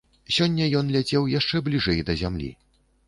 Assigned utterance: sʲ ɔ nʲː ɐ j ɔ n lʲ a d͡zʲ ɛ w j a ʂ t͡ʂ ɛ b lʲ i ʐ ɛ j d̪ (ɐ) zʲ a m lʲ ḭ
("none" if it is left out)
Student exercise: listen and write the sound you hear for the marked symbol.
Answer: ɐ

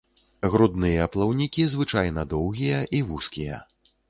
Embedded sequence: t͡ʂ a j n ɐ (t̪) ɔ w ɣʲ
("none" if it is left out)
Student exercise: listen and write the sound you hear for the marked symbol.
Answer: d̪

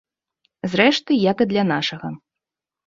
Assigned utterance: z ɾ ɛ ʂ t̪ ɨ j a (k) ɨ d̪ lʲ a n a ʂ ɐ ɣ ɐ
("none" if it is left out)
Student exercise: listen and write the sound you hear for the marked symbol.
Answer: k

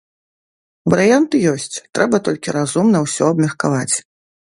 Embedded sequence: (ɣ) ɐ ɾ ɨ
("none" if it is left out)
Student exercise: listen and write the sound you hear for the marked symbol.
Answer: v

